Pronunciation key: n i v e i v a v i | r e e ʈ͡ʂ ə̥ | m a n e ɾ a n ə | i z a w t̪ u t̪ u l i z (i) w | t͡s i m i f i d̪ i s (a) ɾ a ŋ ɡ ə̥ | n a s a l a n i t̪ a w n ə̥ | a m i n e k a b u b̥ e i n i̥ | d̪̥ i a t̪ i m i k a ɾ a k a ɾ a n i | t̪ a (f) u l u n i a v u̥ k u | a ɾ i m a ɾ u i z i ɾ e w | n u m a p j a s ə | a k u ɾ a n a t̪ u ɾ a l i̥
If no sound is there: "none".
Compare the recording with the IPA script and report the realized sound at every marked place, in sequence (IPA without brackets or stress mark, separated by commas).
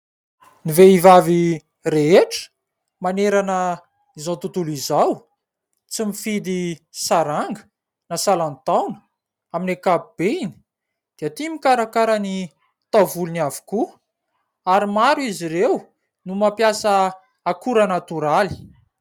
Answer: a, a, v